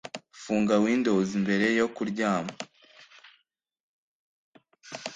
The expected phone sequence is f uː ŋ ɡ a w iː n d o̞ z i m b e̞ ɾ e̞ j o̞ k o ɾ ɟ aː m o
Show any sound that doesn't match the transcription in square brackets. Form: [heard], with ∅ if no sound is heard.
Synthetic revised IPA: f uː ŋ ɡ a w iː n d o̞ z i m b e̞ ɾ e̞ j o̞ k [u] ɾ ɟ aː m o